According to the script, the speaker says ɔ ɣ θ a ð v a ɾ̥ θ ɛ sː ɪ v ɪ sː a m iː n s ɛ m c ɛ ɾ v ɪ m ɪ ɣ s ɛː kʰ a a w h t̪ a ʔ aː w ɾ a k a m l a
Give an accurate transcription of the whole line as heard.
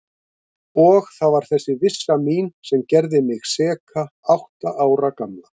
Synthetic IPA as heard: ɔ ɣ θ a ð v a ɾ̥ θ ɛ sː ɪ v ɪ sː a m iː n s ɛ m c ɛ ɾ ð ɪ m ɪ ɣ s ɛː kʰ a a w h t̪ a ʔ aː w ɾ a k a m l a

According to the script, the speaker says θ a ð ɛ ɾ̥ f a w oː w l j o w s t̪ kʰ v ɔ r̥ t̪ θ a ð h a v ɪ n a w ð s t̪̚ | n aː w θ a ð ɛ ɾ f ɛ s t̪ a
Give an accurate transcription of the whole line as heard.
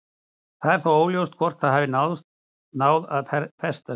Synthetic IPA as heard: θ a ð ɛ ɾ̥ θ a w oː w l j o w s t̪ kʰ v ɔ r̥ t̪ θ a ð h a v ɪ n a w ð s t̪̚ | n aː w ð a ð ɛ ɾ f ɛ s t̪ a

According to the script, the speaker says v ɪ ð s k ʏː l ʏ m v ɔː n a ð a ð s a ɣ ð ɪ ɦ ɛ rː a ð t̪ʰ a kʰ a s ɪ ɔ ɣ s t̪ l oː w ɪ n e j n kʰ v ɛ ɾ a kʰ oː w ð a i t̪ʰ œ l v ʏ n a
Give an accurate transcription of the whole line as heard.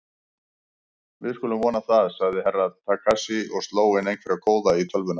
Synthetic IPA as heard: v ɪ ð s k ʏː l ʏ m v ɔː n a θ a ð s a ɣ ð ɪ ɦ ɛ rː a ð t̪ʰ a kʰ a s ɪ ɔ ɣ s t̪ l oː w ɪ n e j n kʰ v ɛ ɾ a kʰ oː w ð a i t̪ʰ œ l v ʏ n a

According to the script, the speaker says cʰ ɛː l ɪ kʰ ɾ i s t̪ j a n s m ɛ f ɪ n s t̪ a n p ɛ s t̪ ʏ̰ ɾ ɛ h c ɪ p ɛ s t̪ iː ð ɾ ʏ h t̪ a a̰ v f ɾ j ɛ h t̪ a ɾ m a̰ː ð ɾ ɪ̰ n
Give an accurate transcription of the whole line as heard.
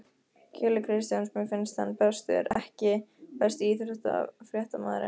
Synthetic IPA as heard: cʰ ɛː l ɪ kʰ ɾ ɪ s t̪ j a n s m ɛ f ɪ n s t̪ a n p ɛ s t̪ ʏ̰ ɾ ɛ h c ɪ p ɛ s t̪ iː θ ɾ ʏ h t̪ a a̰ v f ɾ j ɛ h t̪ a m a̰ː ð ɾ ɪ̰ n

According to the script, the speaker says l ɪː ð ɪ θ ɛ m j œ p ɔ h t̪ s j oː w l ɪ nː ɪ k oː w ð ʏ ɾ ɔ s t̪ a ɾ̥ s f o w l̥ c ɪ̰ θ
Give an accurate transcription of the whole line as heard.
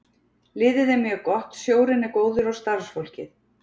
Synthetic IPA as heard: l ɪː ð ɪ ð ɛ m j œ k ɔ h t̪ s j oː w ɾ ɪ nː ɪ k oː w ð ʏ ɾ ɔ s t̪ a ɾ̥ s f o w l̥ c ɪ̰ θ

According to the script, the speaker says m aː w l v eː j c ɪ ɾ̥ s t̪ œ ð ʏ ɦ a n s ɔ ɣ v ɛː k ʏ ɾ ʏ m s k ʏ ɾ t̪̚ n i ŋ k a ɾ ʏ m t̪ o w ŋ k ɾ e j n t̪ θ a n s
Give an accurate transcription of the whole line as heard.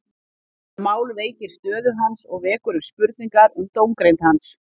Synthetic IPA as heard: m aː w l v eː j c ɪ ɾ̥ s t̪ œː ð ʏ ɦ a n s ɔ ɣ v ɛː k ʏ ɾ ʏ m s p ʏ ɾ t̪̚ n i ŋ k a ɾ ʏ m t̪ o w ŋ k ɾ e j n t̪ h a n s

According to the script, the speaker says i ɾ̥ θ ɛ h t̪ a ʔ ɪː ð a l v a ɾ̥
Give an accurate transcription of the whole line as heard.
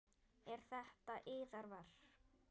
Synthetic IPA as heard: ɛ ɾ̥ θ ɛ h t̪ a ʔ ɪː ð a ɾ v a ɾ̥

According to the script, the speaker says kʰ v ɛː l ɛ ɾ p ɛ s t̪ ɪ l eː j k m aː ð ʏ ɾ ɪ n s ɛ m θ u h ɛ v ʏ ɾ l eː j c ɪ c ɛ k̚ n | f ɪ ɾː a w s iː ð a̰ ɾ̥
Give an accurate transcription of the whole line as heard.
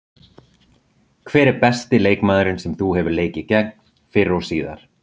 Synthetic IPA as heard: kʰ v ɛː ɾ ɛ ɾ p ɛ s t̪ ɪ l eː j k m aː ð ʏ ɾ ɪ n s ɛ m θ u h ɛ v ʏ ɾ l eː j c ɪ c ɛ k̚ n | f ɪ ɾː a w s iː ð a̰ ɾ̥

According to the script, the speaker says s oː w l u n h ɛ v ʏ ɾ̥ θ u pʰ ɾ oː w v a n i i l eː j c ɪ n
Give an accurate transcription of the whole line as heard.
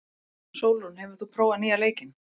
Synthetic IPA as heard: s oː w l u n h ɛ v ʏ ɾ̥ θ u pʰ ɾ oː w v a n i a l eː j c ɪ n

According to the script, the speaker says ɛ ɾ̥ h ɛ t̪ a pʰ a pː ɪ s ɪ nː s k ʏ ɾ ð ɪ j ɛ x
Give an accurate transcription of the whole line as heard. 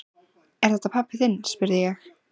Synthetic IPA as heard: ɛ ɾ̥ θ ɛ t̪ a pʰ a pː ɪ θ ɪ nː s p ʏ ɾ ð ɪ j ɛ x

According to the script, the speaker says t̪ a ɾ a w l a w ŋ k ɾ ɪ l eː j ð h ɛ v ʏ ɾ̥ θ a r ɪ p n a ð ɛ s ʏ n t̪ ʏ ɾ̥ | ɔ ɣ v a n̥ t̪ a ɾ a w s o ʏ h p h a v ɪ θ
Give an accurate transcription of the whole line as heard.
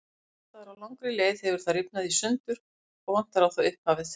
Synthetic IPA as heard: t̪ a ɾ a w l a w ŋ k ɾ ɪ l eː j ð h ɛ v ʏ ɾ̥ θ a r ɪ p n a ð i s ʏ n t̪ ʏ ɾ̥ | ɔ ɣ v a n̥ t̪ a ɾ a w θ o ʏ h p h a v ɪ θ

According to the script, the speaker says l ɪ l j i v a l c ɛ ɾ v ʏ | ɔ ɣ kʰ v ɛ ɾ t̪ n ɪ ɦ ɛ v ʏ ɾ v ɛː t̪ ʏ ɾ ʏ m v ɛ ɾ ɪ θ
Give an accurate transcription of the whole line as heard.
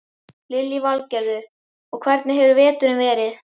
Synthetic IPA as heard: l ɪ l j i v a l c ɛ ɾ ð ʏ | ɔ ɣ kʰ v ɛ ɾ t̪ n ɪ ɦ ɛ v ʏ ɾ v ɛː t̪ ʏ ɾ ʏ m v ɛː ɾ ɪ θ

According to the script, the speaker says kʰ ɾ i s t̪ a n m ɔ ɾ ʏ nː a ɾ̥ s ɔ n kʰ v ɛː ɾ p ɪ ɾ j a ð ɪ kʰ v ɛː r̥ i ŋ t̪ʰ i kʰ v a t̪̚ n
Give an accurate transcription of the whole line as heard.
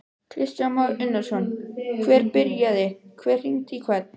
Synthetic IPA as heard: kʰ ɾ ɪ s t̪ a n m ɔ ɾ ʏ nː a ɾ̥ s ɔ n kʰ v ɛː ɾ p ɪ ɾ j a ð ɪ kʰ v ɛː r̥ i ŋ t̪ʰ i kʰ v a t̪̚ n

